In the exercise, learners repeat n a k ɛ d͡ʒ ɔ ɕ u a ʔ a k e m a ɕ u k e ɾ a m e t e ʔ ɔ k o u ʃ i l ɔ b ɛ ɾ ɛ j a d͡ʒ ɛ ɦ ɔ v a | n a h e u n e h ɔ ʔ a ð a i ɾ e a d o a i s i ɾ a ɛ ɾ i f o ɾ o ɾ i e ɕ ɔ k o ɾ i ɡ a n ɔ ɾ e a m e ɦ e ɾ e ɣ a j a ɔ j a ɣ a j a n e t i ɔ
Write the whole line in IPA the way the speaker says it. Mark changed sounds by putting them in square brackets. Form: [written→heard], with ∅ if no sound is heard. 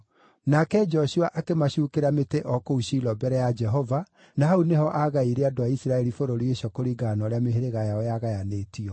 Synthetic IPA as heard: n a k ɛ d͡ʒ ɔ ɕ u a ʔ a k e m a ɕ u k e ɾ a m e t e ʔ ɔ k o u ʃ i l ɔ b ɛ ɾ ɛ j a d͡ʒ ɛ ɦ ɔ v a | n a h [e→a] u n e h ɔ ʔ a [ð→ɣ] a i ɾ e a d o a i s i ɾ a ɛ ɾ i f o ɾ o ɾ i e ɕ ɔ k o ɾ i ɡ a n ɔ ɾ e a m e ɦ e ɾ e ɣ a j a ɔ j a ɣ a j a n e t i ɔ